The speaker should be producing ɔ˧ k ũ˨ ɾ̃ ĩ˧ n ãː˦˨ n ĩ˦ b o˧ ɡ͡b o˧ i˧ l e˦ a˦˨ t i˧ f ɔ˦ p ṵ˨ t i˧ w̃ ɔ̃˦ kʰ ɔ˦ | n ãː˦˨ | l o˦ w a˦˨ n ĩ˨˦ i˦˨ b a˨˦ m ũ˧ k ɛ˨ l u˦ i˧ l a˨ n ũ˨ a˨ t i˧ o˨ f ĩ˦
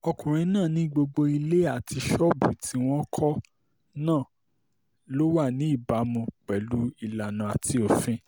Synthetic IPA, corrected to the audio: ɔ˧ k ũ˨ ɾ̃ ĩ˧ n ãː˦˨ n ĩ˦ ɡ͡b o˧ ɡ͡b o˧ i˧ l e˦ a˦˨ t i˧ ʃ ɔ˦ b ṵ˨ t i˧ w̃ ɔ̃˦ kʰ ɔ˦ | n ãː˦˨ | l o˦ w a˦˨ n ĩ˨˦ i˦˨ b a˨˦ m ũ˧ k͡p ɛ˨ l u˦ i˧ l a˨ n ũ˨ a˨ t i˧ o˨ f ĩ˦